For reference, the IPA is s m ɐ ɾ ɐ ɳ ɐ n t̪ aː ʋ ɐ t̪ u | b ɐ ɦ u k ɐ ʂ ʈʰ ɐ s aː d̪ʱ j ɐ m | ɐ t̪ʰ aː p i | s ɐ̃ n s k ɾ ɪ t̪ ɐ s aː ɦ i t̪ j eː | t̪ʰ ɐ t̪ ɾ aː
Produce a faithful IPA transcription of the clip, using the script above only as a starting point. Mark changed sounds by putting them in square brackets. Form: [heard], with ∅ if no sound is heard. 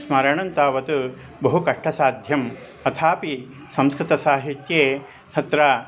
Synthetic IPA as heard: s m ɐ ɾ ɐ ɳ ɐ n t̪ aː ʋ ɐ t̪ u | b ɐ ɦ u k ɐ ʂ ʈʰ ɐ s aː d̪ʱ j ɐ m | ɐ t̪ʰ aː p i | s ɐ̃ [m] s k ɾ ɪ t̪ ɐ s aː ɦ i t̪ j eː | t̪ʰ ɐ t̪ ɾ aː